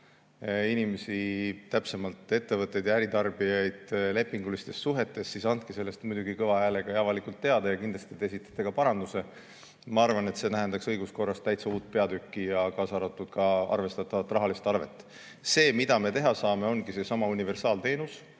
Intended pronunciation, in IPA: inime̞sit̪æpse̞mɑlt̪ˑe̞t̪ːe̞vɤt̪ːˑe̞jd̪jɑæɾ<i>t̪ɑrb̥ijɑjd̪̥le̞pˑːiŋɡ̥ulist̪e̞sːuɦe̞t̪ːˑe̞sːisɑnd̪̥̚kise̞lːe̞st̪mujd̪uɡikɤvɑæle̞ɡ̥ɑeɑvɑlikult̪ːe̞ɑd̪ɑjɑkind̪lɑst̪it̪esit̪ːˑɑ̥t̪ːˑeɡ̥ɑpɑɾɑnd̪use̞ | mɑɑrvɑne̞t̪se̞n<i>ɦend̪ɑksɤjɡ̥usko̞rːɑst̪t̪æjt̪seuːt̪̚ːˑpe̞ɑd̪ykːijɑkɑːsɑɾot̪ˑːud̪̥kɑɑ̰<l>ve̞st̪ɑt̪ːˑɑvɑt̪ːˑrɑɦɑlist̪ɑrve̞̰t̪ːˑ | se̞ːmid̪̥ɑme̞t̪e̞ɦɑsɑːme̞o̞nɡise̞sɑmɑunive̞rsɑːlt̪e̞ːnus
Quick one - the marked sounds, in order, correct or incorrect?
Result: correct, incorrect, incorrect

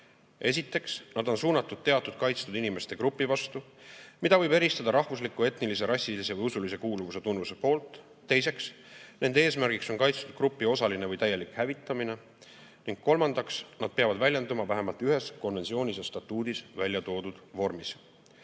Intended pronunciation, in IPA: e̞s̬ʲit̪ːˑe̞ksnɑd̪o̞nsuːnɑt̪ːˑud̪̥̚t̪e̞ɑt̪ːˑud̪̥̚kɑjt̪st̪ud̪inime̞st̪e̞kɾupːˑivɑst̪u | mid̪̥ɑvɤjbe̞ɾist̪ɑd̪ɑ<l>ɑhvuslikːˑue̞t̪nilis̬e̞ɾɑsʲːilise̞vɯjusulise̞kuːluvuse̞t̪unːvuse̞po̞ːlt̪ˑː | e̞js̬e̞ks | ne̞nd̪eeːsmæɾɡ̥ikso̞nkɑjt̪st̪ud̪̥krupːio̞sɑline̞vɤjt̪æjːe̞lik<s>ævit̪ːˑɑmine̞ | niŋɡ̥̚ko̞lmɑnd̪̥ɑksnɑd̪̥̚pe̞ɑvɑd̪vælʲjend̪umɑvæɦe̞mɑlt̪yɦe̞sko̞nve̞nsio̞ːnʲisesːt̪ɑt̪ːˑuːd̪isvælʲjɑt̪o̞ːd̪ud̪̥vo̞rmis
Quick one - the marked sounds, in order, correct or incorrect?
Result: incorrect, incorrect

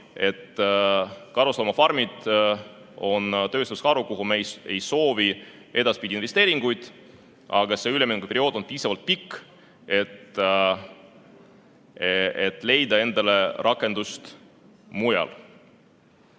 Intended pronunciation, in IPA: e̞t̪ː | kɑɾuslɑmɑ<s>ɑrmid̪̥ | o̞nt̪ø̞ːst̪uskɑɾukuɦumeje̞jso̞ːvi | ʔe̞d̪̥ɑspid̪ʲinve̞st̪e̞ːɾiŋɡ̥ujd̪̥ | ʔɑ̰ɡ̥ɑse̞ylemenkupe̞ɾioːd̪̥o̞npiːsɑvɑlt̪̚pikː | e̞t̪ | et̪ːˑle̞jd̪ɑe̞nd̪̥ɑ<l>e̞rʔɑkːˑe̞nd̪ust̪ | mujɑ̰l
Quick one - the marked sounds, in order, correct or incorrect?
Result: incorrect, correct

